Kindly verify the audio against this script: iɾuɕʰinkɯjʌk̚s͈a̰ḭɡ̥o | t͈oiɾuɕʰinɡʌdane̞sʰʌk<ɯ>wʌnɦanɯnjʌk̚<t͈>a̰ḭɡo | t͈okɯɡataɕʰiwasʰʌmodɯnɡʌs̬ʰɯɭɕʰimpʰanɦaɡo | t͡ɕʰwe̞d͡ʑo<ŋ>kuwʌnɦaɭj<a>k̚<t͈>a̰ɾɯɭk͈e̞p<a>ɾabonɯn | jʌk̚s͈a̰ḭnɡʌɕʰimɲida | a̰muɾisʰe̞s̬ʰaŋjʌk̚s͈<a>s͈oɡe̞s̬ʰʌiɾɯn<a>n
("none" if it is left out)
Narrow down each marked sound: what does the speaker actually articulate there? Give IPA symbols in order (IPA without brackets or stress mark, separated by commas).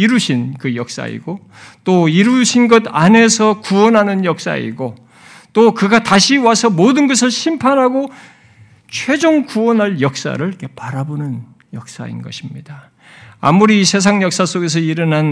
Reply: u, s͈, ŋ, ʌ, s͈, a, a, a